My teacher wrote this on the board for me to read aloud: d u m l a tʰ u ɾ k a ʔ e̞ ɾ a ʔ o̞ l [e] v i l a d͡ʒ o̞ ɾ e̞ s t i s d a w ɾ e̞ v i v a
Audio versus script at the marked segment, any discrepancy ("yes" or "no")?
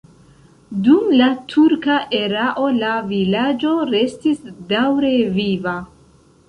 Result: yes